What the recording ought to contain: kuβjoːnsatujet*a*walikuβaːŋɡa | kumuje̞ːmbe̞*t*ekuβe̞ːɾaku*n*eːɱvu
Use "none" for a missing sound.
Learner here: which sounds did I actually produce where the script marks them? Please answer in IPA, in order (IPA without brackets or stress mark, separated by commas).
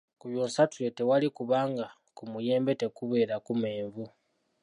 e, t, m